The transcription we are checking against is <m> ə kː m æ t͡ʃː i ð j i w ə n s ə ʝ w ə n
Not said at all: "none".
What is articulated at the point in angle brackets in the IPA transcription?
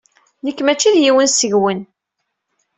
n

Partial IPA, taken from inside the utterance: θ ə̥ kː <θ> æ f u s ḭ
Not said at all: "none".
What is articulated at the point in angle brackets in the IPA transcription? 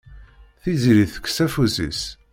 s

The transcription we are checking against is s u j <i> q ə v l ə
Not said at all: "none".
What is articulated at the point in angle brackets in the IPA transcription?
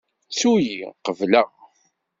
i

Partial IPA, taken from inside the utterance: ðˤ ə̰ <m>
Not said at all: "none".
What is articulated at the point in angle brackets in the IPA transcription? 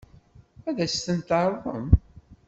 m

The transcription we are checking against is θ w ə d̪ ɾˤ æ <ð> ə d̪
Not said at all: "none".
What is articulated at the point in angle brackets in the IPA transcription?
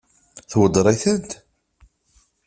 θ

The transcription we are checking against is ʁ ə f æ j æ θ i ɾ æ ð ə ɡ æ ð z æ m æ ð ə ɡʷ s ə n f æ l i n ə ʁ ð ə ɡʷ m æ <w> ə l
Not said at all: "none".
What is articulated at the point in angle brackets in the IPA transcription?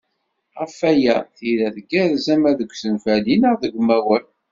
w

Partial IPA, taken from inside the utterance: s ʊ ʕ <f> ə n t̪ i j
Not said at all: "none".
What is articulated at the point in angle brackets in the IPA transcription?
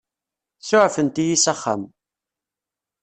f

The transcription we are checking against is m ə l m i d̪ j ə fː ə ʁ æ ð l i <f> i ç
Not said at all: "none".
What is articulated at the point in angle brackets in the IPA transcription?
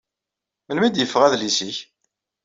s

